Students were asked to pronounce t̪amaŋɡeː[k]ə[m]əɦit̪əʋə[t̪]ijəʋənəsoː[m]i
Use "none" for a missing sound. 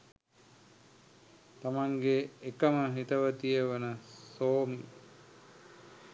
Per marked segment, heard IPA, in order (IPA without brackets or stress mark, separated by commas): k, m, t̪, m